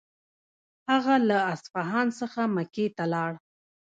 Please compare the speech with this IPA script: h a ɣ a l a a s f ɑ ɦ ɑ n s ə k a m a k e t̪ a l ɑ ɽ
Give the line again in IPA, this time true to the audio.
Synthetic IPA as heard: h a ɣ a l a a s f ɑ ɦ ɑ n s ə x a m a k e t̪ a l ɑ ɽ